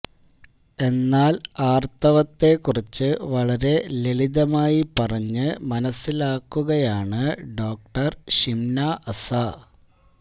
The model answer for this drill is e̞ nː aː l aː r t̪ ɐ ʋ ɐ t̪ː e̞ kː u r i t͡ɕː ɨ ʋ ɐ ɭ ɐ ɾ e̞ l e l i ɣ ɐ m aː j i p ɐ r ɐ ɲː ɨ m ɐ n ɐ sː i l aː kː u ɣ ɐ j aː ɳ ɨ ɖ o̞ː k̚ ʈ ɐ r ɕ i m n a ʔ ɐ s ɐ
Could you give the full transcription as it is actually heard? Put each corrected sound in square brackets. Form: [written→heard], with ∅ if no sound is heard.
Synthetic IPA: e̞ nː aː l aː r t̪ ɐ ʋ ɐ t̪ː e̞ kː u r i t͡ɕː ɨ ʋ ɐ ɭ ɐ ɾ e̞ l e l i [ɣ→ð] ɐ m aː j i p ɐ r ɐ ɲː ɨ m ɐ n ɐ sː i l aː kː u ɣ ɐ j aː ɳ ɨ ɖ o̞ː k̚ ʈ ɐ r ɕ i m n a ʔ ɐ s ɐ